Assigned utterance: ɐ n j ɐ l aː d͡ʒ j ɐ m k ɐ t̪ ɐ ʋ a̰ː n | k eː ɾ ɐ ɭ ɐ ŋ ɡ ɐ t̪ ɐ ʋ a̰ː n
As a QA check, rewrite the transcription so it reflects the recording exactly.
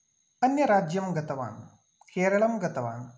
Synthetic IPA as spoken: ɐ n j ɐ ɾ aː d͡ʒ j ɐ m ɡ ɐ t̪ ɐ ʋ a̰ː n | k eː ɾ ɐ ɭ ɐ m ɡ ɐ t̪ ɐ ʋ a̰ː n